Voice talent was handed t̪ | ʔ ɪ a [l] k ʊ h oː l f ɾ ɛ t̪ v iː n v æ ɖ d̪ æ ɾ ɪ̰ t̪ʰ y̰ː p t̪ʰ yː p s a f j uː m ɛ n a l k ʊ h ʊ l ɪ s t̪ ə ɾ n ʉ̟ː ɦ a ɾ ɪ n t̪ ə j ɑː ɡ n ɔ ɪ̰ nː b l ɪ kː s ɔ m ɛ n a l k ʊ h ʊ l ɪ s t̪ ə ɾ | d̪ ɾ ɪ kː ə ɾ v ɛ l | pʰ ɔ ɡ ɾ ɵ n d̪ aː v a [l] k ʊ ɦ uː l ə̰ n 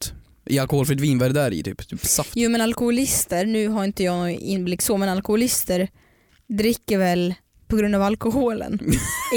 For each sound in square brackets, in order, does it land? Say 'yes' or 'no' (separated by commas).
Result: yes, yes